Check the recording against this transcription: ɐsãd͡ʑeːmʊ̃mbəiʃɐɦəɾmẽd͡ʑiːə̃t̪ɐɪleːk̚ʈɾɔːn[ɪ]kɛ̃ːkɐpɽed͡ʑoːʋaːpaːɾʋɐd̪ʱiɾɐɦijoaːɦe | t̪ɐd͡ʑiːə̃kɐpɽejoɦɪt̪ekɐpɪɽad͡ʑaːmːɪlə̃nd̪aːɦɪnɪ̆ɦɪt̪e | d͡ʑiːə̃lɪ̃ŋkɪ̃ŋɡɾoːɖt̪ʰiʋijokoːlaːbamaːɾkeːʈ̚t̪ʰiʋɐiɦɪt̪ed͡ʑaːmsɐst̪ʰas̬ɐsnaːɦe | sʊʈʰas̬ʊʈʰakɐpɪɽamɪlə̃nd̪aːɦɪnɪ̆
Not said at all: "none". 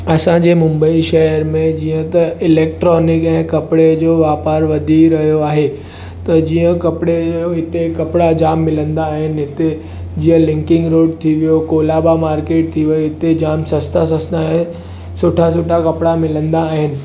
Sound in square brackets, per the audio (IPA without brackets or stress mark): ɪ